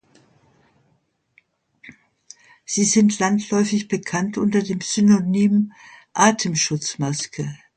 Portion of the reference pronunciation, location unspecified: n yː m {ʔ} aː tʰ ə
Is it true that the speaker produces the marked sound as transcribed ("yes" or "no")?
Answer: yes